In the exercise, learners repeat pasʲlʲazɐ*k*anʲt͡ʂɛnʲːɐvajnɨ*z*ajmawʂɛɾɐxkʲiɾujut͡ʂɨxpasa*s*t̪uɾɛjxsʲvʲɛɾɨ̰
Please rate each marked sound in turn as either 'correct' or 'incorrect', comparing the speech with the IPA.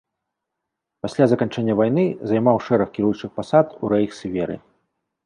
correct, correct, incorrect: none

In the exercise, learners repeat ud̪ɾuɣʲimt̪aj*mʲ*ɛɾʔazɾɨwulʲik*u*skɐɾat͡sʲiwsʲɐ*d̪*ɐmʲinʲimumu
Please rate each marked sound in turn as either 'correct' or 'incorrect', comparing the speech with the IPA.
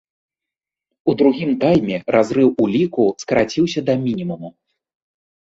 correct, correct, correct

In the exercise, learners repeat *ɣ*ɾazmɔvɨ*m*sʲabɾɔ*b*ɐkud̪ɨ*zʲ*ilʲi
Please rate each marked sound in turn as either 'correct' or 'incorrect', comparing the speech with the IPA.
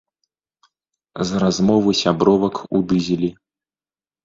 incorrect: z, incorrect: none, incorrect: v, correct

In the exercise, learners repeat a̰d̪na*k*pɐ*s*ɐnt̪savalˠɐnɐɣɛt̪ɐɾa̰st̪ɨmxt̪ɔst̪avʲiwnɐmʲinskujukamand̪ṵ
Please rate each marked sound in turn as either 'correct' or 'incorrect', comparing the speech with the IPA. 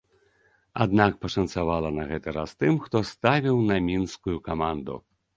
correct, incorrect: ʂ

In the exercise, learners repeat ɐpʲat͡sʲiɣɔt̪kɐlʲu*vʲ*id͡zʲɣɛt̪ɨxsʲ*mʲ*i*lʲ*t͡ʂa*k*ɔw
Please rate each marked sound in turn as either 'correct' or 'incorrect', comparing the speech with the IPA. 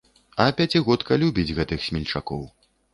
incorrect: bʲ, correct, correct, correct

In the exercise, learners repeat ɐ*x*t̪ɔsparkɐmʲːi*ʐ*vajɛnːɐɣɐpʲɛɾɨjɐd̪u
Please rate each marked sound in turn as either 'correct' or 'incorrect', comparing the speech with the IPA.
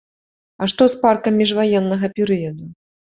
incorrect: ʂ, correct

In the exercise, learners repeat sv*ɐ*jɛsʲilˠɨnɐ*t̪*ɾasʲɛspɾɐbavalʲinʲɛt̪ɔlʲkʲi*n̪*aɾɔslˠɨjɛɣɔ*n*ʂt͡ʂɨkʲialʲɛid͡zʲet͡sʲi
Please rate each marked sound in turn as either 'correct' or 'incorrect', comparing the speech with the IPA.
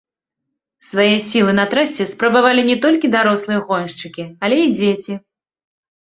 incorrect: a, correct, incorrect: d̪, correct

